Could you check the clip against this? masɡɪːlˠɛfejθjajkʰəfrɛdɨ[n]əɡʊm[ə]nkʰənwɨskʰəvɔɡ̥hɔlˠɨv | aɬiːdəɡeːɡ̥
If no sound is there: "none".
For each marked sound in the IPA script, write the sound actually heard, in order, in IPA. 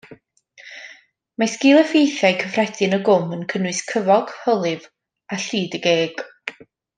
n, ə

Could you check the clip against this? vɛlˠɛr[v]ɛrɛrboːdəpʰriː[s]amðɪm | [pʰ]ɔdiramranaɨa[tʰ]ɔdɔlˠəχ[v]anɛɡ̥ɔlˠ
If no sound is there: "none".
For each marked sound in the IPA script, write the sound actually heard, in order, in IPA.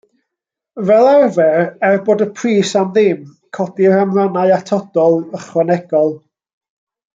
v, s, kʰ, tʰ, w

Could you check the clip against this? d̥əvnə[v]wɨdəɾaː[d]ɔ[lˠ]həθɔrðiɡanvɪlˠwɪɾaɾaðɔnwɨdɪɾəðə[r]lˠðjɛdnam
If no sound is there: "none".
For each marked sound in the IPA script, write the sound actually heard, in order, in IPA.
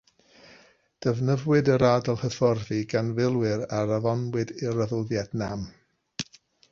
v, d, lˠ, none

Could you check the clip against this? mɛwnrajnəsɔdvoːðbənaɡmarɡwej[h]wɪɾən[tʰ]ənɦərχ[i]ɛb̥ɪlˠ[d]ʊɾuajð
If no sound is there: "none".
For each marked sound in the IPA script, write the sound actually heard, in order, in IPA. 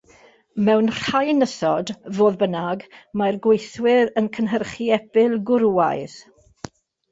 θ, kʰ, i, ɡ

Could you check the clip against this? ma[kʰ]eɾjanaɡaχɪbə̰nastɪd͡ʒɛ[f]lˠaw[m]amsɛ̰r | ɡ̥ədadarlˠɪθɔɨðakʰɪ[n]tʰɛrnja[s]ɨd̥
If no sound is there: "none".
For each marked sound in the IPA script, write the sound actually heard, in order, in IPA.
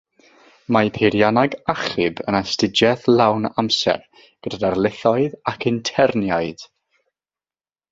pʰ, θ, n, n, none

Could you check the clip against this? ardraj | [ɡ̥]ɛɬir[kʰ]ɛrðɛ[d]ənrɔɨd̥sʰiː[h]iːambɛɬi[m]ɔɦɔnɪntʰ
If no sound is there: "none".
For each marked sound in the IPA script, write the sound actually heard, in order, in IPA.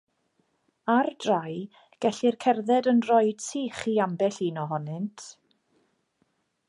ɡ̥, kʰ, d, χ, n

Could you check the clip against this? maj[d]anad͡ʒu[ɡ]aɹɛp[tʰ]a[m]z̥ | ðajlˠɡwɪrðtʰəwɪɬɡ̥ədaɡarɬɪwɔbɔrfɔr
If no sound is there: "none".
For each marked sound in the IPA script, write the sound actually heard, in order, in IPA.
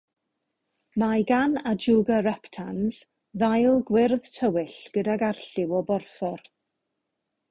ɡ, ɡ, tʰ, n

